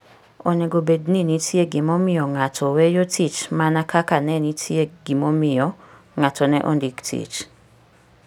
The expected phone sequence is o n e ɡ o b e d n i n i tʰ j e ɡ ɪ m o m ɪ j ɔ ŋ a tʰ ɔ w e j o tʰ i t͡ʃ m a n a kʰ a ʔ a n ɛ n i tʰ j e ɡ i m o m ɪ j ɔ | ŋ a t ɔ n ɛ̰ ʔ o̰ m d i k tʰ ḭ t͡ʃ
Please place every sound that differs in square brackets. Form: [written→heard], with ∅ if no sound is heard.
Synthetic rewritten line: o n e ɡ o b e d n i n i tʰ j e ɡ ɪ m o m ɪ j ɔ ŋ a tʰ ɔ w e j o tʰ i t͡ʃ m a n a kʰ a [ʔ→k] a n ɛ n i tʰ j e ɡ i m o m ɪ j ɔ | ŋ a t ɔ n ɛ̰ ʔ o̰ [m→n] d i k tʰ ḭ t͡ʃ

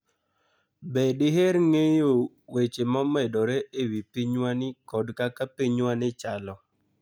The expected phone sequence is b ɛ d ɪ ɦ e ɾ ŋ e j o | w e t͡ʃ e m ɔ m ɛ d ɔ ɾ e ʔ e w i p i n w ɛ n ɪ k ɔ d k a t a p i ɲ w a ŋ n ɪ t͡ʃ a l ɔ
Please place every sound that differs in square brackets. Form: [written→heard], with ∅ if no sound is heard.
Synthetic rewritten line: b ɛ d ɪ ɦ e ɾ ŋ e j o | w e t͡ʃ e m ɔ m ɛ d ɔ ɾ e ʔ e w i p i [n→ɲ] w [ɛ→a] n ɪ k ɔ d k a [t→k] a p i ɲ w a [ŋ→∅] n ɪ t͡ʃ a l ɔ

